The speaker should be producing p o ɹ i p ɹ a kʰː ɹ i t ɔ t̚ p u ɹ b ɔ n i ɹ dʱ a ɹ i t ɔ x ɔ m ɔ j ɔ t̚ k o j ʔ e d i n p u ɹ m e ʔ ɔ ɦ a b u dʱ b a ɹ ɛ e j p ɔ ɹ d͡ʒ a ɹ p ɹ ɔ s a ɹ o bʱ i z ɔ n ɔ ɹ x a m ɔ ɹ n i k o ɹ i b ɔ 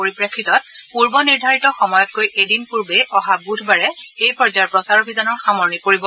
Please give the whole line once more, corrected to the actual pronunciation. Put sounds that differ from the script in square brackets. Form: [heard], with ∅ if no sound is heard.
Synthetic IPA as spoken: p o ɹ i p ɹ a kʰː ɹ i t ɔ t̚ p u ɹ b ɔ n i ɹ dʱ a ɹ i t ɔ x ɔ m ɔ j ɔ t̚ k o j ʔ e d i n p u ɹ [b] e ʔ ɔ ɦ a b u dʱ b a ɹ ɛ e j p ɔ ɹ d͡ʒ a ɹ p ɹ ɔ s a ɹ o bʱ i z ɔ n ɔ ɹ x a m ɔ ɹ n i k o ɹ i b ɔ